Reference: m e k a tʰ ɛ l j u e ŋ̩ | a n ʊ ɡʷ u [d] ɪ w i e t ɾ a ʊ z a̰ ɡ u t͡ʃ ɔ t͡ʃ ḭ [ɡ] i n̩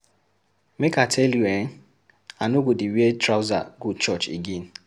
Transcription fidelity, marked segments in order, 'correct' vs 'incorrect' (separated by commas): correct, correct